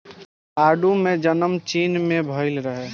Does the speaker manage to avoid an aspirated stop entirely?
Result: yes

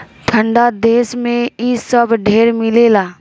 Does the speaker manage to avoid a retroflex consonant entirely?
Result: no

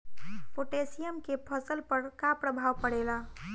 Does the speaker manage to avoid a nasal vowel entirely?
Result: yes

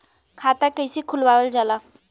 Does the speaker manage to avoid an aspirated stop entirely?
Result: no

